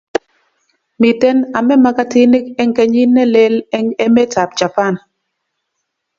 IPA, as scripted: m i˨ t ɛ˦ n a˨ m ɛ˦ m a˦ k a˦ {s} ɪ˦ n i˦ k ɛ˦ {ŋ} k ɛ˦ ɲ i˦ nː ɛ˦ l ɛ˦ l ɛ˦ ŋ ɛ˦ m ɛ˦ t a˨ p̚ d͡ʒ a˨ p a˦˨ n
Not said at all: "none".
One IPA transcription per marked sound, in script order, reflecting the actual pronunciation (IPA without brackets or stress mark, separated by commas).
t, ŋ